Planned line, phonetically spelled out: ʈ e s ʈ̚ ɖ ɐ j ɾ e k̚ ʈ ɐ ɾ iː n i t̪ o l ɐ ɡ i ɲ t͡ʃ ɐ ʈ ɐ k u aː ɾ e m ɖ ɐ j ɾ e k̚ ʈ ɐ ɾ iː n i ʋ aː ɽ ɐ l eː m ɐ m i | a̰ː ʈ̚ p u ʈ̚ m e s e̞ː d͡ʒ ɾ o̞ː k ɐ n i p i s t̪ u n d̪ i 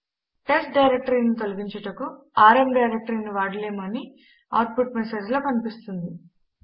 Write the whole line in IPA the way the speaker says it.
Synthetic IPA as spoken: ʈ e s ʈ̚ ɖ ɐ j ɾ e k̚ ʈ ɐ ɾ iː n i t̪ o l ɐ ɡ i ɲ t͡ʃ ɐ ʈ ɐ k u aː ɾ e m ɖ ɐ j ɾ e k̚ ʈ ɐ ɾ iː n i ʋ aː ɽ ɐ l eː m ɐ n i | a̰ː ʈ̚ p u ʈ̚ m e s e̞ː d͡ʒ l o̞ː k ɐ n i p i s t̪ u n d̪ i

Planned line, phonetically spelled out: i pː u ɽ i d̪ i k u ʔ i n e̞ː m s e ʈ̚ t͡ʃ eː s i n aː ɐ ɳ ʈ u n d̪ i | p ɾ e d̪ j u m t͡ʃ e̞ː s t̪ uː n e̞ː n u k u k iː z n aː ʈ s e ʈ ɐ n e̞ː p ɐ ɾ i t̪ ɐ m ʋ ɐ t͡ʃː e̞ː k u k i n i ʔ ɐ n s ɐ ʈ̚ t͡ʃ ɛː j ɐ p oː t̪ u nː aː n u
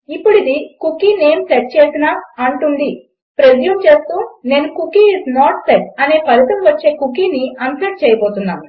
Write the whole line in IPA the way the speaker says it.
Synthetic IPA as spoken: i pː u ɽ i d̪ i k u k i n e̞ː m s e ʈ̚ t͡ʃ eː s i n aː ɐ ɳ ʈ u n d̪ i | p ɾ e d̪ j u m t͡ʃ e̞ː s t̪ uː n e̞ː n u k u k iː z n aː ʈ s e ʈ ɐ n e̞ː p ɐ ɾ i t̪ ɐ m ʋ ɐ t͡ʃː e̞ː k u k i n i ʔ ɐ n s ɐ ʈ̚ t͡ʃ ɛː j ɐ p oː t̪ u nː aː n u

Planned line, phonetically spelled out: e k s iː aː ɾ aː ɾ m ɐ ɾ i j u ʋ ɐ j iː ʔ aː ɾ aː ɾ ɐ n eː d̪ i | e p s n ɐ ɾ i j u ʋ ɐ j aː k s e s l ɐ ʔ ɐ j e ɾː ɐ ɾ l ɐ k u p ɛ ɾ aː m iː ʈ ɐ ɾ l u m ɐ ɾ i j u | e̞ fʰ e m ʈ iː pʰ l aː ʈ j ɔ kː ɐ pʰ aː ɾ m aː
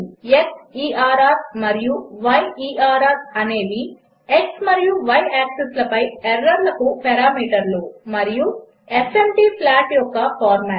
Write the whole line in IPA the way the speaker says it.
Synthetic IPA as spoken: e k s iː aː ɾ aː ɾ m ɐ ɾ i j u ʋ ɐ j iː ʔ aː ɾ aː ɾ ɐ n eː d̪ i | e k s m ɐ ɾ i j u ʋ ɐ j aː k s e s l ɐ p ɐ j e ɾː ɐ ɾ l ɐ k u p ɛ ɾ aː m iː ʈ ɐ ɾ l u m ɐ ɾ i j u | e̞ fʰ e m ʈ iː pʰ l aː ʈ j ɔ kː ɐ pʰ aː ɾ m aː

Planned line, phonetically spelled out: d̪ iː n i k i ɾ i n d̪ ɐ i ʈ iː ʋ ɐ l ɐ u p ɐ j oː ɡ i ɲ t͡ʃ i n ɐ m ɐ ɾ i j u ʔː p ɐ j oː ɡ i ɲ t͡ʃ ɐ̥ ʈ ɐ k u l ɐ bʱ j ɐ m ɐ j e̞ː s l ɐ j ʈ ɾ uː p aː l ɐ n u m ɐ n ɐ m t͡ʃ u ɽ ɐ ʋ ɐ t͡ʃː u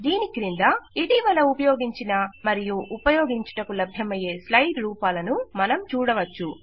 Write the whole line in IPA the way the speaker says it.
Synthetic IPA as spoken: d̪ iː n i k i ɾ i n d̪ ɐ i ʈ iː ʋ ɐ l ɐ u p ɐ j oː ɡ i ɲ t͡ʃ i n ɐ m ɐ ɾ i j u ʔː p ɐ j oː ɡ i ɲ t͡ʃ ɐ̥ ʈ ɐ k u l ɐ bʱ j ɐ m ɐ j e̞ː s l ɐ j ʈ ɾ uː p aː l ɐ n u m ɐ n ɐ m t͡ʃ uː ɽ ɐ ʋ ɐ t͡ʃː u

